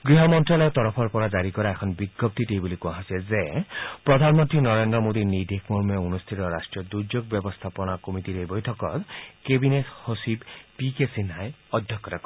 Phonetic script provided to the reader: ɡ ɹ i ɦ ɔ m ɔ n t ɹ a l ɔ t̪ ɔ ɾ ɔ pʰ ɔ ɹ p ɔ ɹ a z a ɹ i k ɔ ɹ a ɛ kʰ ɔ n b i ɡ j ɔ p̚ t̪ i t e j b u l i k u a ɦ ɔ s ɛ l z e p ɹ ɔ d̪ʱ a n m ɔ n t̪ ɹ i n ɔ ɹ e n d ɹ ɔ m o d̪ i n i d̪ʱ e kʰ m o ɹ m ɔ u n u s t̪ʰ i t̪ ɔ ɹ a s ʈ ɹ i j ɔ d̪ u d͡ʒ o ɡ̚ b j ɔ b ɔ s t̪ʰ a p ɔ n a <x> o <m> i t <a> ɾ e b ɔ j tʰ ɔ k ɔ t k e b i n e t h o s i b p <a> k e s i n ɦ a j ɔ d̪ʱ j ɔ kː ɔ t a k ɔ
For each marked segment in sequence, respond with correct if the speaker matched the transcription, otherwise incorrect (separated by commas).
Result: incorrect, correct, incorrect, incorrect